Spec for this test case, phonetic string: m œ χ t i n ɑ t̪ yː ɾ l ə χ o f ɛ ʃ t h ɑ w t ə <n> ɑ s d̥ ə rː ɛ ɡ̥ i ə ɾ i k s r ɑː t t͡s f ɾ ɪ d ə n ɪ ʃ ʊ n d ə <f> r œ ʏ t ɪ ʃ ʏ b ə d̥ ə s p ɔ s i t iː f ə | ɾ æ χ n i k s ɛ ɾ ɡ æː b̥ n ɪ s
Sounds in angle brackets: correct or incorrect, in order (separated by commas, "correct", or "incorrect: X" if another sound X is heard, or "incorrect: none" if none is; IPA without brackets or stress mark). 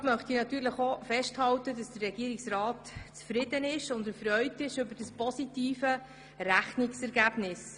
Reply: incorrect: d, correct